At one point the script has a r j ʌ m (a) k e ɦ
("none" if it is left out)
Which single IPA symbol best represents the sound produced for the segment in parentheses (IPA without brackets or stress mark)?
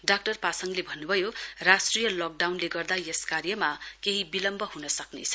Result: a